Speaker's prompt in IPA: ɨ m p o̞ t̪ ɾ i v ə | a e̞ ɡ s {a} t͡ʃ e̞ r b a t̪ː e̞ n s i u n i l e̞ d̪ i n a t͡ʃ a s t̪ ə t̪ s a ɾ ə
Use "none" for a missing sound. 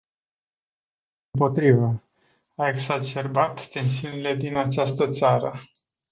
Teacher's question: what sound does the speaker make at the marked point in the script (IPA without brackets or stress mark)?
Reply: a